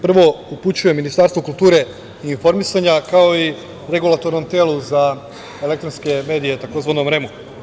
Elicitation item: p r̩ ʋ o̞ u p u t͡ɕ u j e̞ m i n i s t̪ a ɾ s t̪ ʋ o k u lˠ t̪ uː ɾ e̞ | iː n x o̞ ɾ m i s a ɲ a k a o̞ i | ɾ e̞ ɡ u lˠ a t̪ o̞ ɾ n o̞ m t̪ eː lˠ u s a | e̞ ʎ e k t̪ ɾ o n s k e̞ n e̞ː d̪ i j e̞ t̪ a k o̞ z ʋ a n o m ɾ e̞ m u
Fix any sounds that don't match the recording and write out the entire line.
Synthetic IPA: p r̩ ʋ o̞ u p u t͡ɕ u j e̞ m i n i s t̪ a ɾ s t̪ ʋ o k u lˠ t̪ uː ɾ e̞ | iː n f o̞ ɾ m i s a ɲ a k a o̞ i | ɾ e̞ ɡ u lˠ a t̪ o̞ ɾ n o̞ m t̪ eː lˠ u z a | e̞ l e k t̪ ɾ o n s k e̞ m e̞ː d̪ i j e̞ t̪ a k o̞ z ʋ a n o m ɾ e̞ m u